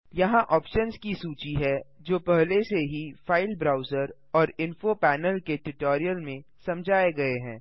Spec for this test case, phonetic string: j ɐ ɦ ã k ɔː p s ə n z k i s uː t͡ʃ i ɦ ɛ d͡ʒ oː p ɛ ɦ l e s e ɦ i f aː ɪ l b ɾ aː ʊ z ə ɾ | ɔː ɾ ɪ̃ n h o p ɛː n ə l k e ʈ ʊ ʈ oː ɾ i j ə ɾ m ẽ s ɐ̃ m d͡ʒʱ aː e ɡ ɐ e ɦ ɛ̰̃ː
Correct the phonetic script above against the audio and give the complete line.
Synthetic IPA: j ɐ ɦ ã ʔ ɔː p ʃ ə n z k i s uː t͡ʃ i ɦ ɛ d͡ʒ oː p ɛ ɦ l e s e ɦ i f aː ɪ l b ɾ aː ʊ z ə ɾ | ɔː ɾ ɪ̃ n f o p ɛː n ə l k e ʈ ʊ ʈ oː ɾ i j ə l m ẽ s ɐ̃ m d͡ʒʱ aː e ɡ ɐ e ɦ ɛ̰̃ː